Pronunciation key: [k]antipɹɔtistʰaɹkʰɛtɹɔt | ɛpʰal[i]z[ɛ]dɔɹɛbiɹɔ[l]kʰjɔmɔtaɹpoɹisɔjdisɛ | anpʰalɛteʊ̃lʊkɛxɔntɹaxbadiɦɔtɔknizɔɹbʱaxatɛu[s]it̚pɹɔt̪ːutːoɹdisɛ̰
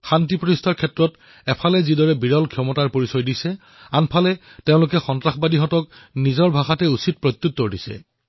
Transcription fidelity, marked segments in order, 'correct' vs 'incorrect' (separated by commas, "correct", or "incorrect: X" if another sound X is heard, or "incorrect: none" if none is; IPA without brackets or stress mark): incorrect: x, incorrect: ɛ, incorrect: i, correct, correct